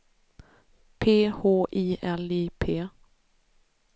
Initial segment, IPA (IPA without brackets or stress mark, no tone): pʰ